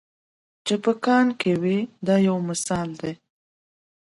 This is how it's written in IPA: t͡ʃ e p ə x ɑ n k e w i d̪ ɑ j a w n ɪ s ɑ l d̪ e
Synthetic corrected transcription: t͡ʃ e p ə k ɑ n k e w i d̪ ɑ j a w m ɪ s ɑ l d̪ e